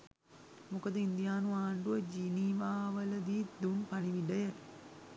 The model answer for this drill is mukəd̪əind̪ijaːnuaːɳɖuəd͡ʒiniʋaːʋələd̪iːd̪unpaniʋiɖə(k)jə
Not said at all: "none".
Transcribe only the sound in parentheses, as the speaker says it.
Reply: none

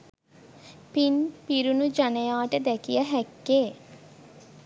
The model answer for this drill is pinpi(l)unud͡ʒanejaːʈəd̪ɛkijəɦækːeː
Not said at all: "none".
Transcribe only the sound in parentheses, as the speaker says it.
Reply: ɾ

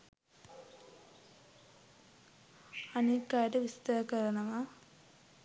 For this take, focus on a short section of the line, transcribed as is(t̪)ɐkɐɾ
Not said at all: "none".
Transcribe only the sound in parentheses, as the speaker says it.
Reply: t̪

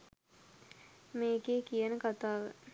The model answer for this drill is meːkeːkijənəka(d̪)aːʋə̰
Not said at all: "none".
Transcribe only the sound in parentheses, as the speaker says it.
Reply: t̪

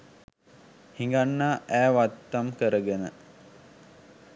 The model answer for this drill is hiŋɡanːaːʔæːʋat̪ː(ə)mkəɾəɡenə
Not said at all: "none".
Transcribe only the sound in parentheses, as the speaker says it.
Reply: a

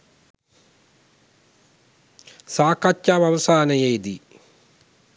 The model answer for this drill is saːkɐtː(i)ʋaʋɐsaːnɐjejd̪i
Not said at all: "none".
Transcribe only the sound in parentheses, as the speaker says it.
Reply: a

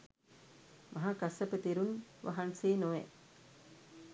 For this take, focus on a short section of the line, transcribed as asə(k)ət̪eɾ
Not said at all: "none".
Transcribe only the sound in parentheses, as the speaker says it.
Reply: p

